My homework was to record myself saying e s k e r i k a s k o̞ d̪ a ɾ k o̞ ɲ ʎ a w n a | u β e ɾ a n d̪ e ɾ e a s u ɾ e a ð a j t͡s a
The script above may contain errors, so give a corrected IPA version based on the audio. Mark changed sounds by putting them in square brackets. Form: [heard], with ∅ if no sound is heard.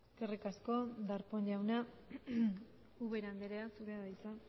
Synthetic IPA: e s k e r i k a s k o̞ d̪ a ɾ [p] o̞ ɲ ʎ a w n a | u β e ɾ a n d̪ e ɾ e a s u ɾ e a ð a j t͡s a

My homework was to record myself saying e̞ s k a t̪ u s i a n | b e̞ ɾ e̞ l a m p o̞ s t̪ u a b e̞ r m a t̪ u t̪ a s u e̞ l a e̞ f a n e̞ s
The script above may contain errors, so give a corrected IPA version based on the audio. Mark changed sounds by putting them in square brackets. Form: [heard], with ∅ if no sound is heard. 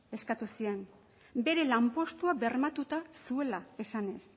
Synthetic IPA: e̞ s k a t̪ u s i [e] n | b e̞ ɾ e̞ l a m p o̞ s t̪ u a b e̞ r m a t̪ u t̪ a s u e̞ l a e̞ [s] a n e̞ s

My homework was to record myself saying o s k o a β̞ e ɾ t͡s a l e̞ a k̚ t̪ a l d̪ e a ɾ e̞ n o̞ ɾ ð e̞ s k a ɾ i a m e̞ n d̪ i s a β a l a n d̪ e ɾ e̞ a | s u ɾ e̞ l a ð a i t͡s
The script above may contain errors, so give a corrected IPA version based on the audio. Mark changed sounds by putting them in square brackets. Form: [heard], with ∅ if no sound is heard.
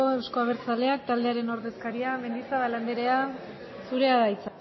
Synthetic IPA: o s k o a β̞ e ɾ t͡s a l e̞ a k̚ t̪ a l d̪ e a ɾ e̞ n o̞ ɾ ð e̞ s k a ɾ i a m e̞ n d̪ i s a β a l a n d̪ e ɾ e̞ a | s u ɾ e̞ [∅] a ð a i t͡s

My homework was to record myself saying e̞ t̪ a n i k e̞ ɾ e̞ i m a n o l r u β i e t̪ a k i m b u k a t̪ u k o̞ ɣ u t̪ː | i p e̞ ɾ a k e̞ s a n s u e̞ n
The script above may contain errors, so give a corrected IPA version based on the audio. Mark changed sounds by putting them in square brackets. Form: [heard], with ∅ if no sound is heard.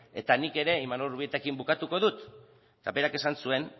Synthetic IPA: e̞ t̪ a n i k e̞ ɾ e̞ i m a n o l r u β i e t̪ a k i m b u k a t̪ u k o̞ [ð] u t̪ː | [a] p e̞ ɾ a k e̞ s a n s u e̞ n

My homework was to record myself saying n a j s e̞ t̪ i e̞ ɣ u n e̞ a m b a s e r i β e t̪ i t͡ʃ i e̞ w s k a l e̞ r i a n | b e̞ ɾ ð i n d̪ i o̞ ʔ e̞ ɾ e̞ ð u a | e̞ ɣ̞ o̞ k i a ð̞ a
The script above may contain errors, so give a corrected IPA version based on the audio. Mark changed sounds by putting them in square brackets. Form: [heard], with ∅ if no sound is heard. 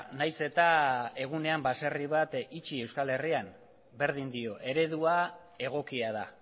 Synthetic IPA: n a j s e̞ t̪ [a] e̞ ɣ u n e̞ a m b a s e r i β [a] t̪ i t͡ʃ i e̞ w s k a l e̞ r i a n | b e̞ ɾ ð i n d̪ i o̞ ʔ e̞ ɾ e̞ ð u a | e̞ ɣ̞ o̞ k i a ð̞ a

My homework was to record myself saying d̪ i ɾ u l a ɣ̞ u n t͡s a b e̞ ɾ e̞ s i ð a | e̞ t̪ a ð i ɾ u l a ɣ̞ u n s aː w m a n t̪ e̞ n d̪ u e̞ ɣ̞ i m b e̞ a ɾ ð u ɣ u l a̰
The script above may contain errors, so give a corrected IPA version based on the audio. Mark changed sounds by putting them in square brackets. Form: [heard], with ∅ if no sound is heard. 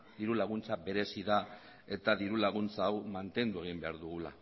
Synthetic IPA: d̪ i ɾ u l a ɣ̞ u n t͡s a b e̞ ɾ e̞ s i ð a | e̞ t̪ a ð i ɾ u l a ɣ̞ u n [t͡s] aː w m a n t̪ e̞ n d̪ u e̞ ɣ̞ i m b e̞ a ɾ ð u ɣ u l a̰

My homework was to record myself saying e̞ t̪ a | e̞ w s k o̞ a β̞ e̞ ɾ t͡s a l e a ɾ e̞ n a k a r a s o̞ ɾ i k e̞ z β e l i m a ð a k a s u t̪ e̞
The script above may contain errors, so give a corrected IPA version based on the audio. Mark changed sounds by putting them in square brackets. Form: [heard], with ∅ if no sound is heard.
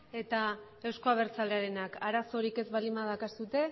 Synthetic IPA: e̞ t̪ a | e̞ w s k o̞ a β̞ e̞ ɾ t͡s a l e a ɾ e̞ n a k a [ɾ] a s o̞ ɾ i k e̞ z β [a] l i m a ð a k a s u t̪ e̞

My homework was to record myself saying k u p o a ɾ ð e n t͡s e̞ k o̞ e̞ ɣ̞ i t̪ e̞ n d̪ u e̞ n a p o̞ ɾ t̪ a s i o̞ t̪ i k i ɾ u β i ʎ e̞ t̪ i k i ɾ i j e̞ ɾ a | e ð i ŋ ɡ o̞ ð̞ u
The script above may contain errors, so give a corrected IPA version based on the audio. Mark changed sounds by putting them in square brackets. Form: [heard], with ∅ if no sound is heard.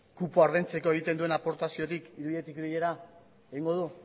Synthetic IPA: k u p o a ɾ ð e n t͡s e̞ k o̞ e̞ ɣ̞ i t̪ e̞ n d̪ u e̞ n a p o̞ ɾ t̪ a s i o̞ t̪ i k i ɾ u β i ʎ e̞ t̪ i k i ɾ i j e̞ ɾ a | e [ɣ] i ŋ ɡ o̞ ð̞ u

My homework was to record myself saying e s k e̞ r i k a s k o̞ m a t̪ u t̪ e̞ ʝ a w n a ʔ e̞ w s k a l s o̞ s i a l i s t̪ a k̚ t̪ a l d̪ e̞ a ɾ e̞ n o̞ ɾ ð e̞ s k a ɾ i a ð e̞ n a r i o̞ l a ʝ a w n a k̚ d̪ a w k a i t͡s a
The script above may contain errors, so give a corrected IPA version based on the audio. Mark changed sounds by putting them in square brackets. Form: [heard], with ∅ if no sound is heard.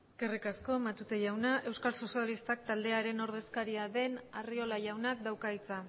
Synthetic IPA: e s k e̞ r i k a s k o̞ m a t̪ u t̪ e̞ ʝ a w n a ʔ e̞ w s k a l s o̞ s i a l i s t̪ a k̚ t̪ a l d̪ e̞ a ɾ e̞ n o̞ ɾ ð e̞ s k a ɾ i a ð e̞ n a r i o̞ l a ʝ a w n a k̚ d̪ a w k a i t͡s a

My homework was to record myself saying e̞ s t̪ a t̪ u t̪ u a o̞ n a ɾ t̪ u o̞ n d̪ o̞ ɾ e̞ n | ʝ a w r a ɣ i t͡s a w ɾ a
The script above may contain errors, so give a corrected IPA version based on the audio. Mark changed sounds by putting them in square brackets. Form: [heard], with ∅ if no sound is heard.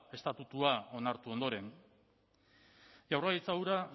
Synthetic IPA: e̞ s t̪ a t̪ u t̪ u a o̞ n a ɾ t̪ u o̞ n d̪ o̞ ɾ e̞ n | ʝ a w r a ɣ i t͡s a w ɾ a

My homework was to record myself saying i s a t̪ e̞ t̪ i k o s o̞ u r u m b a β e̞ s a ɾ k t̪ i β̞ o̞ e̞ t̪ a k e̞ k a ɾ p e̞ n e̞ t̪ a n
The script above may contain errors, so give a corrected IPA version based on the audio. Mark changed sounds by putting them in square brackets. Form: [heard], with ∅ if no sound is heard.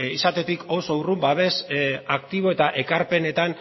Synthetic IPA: i s a t̪ e̞ t̪ i k o s o̞ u r u m b a β e̞ s a [∅] k t̪ i β̞ o̞ e̞ t̪ a [ʔ] e̞ k a ɾ p e̞ n e̞ t̪ a n

